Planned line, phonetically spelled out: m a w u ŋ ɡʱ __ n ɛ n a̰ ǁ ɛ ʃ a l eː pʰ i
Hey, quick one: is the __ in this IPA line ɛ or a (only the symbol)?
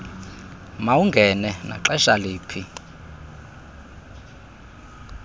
ɛ